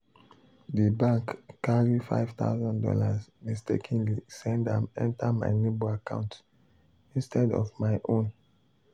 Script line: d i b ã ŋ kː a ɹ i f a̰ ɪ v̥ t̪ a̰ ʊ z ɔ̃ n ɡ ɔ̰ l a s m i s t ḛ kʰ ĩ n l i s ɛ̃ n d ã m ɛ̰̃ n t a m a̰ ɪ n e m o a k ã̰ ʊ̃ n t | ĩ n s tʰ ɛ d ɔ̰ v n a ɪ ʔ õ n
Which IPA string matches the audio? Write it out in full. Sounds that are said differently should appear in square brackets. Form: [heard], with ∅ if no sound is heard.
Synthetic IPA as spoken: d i b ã ŋ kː a ɹ i f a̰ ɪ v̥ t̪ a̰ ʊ z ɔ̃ n [d] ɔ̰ l a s m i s t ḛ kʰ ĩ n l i s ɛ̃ n d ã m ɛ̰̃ n t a m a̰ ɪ n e [b] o a k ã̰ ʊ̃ n t | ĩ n s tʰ ɛ d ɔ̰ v [m] a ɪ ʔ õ n